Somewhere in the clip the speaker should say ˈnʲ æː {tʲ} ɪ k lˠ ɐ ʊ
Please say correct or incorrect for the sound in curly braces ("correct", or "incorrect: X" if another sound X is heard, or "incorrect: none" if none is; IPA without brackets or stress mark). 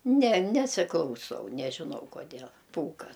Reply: incorrect: sʲ